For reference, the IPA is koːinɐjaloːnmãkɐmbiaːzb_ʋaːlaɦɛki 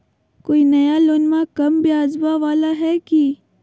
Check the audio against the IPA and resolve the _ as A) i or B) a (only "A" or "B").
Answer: B